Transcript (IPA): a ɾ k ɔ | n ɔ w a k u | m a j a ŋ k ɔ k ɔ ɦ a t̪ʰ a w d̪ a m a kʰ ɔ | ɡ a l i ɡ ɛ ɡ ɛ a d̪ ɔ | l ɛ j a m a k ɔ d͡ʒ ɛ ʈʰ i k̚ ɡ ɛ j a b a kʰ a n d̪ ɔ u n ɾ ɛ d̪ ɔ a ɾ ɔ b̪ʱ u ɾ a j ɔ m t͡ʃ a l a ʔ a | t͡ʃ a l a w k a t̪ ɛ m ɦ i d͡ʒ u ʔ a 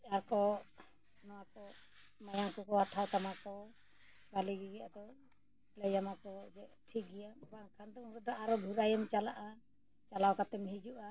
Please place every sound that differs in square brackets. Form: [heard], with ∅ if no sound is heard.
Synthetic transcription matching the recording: a ɾ k ɔ | n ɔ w a k [ɔ] | m a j a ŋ k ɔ k ɔ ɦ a t̪ʰ a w [t̪] a m a [k] ɔ | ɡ a l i ɡ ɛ ɡ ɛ a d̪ ɔ | l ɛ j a m a k ɔ d͡ʒ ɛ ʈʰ i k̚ ɡ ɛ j a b a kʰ a n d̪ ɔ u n ɾ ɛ d̪ ɔ a ɾ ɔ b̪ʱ u ɾ a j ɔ m t͡ʃ a l a ʔ a | t͡ʃ a l a w k a t̪ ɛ m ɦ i d͡ʒ u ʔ a